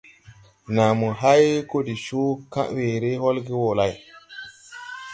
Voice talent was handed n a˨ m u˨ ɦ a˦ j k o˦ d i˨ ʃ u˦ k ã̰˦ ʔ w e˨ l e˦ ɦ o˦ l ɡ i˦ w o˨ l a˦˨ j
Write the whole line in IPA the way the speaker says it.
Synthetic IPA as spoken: n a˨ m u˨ ɦ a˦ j k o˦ d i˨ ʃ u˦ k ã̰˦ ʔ w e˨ ɾ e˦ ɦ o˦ l ɡ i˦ w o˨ l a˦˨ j